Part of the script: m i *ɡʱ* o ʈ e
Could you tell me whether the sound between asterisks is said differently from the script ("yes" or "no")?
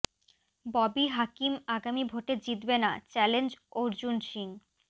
yes